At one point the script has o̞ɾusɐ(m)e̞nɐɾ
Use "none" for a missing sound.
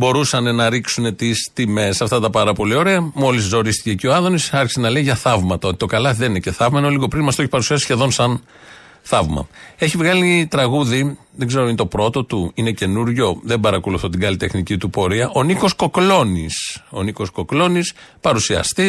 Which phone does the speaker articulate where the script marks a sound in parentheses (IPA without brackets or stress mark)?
n